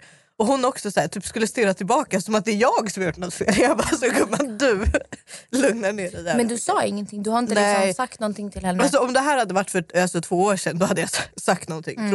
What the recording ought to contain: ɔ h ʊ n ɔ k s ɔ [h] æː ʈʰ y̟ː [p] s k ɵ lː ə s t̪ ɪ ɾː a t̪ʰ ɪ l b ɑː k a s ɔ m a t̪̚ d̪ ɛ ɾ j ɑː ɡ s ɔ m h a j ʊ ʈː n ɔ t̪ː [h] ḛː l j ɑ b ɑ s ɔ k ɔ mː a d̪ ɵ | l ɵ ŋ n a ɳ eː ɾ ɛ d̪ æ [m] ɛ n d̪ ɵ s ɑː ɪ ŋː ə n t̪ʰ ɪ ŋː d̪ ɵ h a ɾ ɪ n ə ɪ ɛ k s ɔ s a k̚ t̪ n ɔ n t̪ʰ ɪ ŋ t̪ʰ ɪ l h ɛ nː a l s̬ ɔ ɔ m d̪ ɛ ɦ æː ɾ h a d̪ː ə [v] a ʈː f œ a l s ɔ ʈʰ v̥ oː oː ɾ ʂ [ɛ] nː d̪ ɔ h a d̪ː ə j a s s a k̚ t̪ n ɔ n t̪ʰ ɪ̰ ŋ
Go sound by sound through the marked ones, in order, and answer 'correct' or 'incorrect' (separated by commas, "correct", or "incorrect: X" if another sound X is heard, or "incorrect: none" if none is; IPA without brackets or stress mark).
incorrect: s, correct, incorrect: f, correct, correct, correct